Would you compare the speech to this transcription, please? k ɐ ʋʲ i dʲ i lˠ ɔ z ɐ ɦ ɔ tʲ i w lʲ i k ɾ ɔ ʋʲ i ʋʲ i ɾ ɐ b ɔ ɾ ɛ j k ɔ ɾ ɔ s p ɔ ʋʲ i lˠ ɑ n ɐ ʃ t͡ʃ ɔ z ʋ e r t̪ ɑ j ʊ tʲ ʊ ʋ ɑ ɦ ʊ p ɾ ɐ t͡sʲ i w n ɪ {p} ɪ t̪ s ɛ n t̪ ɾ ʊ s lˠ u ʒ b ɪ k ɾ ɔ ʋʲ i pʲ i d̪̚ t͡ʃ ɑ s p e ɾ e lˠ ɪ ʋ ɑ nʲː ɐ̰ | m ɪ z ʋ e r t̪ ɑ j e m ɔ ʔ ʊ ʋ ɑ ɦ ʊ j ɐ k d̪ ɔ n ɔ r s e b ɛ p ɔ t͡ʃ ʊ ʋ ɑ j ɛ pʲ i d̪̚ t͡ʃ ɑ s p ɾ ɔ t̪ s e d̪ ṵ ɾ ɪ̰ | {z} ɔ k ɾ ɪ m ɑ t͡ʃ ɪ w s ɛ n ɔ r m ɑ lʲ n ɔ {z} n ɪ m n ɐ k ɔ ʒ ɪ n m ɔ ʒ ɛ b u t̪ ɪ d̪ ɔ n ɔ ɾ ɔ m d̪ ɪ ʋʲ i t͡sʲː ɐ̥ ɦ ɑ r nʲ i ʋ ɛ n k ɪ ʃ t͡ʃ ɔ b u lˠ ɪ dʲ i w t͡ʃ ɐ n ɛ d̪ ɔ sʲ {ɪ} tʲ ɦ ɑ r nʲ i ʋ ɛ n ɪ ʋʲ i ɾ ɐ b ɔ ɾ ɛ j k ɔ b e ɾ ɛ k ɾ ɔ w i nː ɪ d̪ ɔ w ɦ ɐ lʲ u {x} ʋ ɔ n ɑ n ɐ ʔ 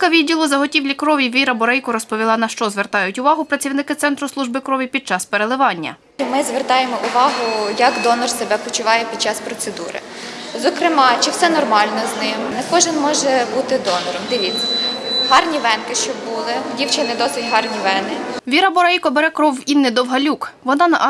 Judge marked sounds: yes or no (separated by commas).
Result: no, yes, yes, yes, no